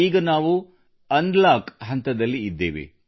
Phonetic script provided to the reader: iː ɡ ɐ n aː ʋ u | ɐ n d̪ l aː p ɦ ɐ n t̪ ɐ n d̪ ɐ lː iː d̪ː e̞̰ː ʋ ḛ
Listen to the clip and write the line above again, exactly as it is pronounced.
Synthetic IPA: iː ɡ ɐ n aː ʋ u | ɐ n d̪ l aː k ɦ ɐ n t̪ ɐ d̪ ɐ lː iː d̪ː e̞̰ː ʋ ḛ